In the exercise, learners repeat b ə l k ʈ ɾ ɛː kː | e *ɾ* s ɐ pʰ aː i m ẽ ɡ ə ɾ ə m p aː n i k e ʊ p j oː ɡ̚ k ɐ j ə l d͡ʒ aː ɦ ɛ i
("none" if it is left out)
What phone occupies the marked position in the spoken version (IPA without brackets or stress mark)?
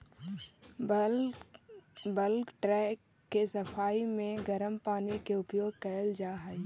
none